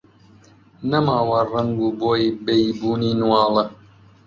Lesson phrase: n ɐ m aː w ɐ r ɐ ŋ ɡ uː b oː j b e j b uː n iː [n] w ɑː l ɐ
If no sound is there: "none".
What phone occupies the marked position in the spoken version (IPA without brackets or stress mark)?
n